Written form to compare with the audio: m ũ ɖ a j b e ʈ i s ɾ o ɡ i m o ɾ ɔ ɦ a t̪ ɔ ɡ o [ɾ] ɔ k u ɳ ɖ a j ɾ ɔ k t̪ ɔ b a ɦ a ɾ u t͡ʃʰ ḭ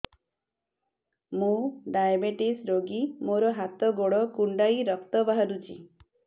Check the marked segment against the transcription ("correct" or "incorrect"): incorrect